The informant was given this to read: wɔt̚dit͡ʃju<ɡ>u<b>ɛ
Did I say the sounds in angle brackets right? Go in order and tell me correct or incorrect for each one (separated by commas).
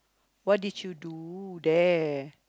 incorrect, incorrect